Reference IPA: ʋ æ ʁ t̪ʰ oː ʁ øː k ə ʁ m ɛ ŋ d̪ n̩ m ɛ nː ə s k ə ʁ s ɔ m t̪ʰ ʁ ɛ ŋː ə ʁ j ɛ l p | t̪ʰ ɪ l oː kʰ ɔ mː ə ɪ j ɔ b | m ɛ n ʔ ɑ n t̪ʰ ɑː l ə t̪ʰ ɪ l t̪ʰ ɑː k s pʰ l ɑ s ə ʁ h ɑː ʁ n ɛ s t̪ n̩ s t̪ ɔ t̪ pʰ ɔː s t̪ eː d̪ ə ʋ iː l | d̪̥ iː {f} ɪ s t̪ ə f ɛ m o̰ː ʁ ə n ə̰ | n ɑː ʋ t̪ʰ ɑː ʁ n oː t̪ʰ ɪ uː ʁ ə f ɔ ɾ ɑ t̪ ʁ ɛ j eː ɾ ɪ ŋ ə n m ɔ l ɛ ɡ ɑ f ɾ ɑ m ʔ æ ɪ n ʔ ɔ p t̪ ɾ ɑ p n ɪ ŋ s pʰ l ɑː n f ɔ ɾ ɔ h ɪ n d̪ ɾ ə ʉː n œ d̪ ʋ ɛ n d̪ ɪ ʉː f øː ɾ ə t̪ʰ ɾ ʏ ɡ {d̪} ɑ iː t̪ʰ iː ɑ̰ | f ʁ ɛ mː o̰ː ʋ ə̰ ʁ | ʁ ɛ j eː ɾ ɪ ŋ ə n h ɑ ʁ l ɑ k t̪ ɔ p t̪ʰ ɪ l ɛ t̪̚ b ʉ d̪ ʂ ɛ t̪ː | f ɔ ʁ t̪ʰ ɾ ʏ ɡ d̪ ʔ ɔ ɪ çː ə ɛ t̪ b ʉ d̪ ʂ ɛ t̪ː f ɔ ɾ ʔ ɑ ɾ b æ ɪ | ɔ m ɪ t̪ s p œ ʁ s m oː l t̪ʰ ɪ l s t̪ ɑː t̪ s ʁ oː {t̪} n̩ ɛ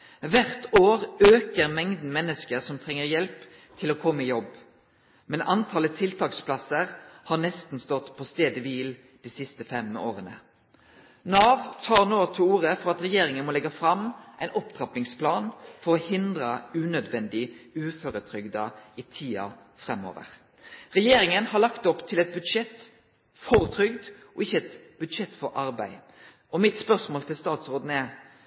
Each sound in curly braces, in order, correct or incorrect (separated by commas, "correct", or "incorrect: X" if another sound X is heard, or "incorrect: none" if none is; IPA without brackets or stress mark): incorrect: s, correct, incorrect: d̪